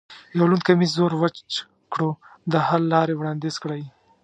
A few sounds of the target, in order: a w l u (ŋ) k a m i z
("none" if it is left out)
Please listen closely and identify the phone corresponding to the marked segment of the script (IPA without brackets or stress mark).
n